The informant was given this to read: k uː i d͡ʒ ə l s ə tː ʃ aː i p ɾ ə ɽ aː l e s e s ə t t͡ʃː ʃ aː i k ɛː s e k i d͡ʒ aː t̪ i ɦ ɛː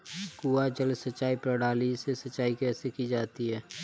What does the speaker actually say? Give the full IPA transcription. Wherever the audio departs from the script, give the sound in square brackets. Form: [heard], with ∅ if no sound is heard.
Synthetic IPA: k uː [a] d͡ʒ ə l s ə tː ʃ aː i p ɾ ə ɽ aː l [i] s e s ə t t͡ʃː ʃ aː i k ɛː s e k i d͡ʒ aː t̪ i ɦ ɛː

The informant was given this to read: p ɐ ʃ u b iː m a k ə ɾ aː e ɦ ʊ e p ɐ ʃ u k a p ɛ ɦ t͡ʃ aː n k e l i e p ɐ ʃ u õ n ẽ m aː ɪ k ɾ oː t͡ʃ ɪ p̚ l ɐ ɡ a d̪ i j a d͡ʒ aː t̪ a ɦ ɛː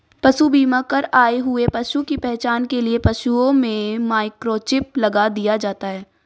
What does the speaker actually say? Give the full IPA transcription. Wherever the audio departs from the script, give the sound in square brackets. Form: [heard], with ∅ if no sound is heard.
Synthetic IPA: p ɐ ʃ u b iː m a k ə ɾ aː e ɦ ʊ e p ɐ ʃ u k [i] p ɛ ɦ t͡ʃ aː n k e l i e p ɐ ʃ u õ [m] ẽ m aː ɪ k ɾ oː t͡ʃ ɪ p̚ l ɐ ɡ a d̪ i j a d͡ʒ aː t̪ a ɦ ɛː

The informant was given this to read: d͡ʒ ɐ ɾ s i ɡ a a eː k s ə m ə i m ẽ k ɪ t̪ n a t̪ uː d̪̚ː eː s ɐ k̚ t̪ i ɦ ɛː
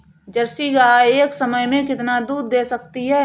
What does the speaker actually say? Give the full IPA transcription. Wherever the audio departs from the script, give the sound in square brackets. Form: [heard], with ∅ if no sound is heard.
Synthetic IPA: d͡ʒ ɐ ɾ s i ɡ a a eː k s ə m ə [j] m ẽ k ɪ t̪ n a [d̪] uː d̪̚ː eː s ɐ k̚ t̪ i ɦ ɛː

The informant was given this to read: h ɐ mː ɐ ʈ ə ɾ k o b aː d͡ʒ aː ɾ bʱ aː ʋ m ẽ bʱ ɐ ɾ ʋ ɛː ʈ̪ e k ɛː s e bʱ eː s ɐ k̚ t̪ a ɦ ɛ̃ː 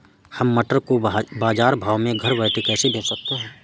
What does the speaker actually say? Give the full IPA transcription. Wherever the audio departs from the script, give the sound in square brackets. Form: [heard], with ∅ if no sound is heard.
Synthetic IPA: h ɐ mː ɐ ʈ ə ɾ k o b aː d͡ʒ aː ɾ bʱ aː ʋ m ẽ [ɡʱ] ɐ ɾ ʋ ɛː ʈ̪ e k ɛː s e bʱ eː s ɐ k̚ t̪ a ɦ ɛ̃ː

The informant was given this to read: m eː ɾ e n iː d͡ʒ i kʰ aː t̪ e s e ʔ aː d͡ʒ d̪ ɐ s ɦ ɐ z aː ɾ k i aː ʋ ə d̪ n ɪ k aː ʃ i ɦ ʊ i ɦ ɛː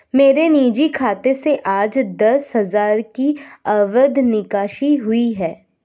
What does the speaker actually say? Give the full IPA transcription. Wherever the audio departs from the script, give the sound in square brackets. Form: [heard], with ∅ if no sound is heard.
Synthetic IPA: m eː ɾ e n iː d͡ʒ i kʰ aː t̪ e s e ʔ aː d͡ʒ d̪ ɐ s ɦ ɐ z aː ɾ k i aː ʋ ə d̪ n ɪ k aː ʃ i ɦ ʊ i ɦ ɛː

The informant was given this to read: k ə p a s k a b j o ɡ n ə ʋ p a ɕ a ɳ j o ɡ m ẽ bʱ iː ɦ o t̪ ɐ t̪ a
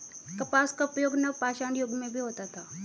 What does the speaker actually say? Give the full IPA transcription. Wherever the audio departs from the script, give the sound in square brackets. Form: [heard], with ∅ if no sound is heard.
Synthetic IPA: k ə p a s k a [p] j o ɡ n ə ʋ p a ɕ a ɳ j o ɡ m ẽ bʱ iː ɦ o t̪ [a] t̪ a

